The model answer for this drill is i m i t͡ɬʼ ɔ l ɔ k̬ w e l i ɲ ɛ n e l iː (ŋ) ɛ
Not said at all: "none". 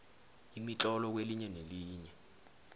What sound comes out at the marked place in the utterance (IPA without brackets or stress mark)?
ɲ